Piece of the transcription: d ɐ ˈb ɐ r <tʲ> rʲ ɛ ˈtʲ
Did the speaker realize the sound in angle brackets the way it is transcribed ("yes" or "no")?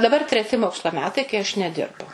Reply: yes